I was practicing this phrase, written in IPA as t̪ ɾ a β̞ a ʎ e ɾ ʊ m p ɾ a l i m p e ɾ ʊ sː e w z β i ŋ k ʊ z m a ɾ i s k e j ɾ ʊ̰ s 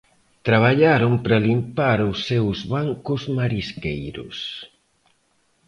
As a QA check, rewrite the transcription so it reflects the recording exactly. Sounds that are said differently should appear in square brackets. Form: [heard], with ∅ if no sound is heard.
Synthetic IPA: t̪ ɾ a β̞ a ʎ [a] ɾ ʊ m p ɾ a l i m p [a] ɾ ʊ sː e w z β [a] ŋ k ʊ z m a ɾ i s k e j ɾ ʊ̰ s